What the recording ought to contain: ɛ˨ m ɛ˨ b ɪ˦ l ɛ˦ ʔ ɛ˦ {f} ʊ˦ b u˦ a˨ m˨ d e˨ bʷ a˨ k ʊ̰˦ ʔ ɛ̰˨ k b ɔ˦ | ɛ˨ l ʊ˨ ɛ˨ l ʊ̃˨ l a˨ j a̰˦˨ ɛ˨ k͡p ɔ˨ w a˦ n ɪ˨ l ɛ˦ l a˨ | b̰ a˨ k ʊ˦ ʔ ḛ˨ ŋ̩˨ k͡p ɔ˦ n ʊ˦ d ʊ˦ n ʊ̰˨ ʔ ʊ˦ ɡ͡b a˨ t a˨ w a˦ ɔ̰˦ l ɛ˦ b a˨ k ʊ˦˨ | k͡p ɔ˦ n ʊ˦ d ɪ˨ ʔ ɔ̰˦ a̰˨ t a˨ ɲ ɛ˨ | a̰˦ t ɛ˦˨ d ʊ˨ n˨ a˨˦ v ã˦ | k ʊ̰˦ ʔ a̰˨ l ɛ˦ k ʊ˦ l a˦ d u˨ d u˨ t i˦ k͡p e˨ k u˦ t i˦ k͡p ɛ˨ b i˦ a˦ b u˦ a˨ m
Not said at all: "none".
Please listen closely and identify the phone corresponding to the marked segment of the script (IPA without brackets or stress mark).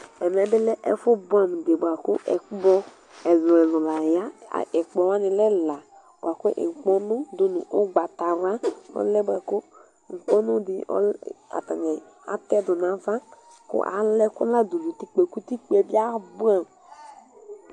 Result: f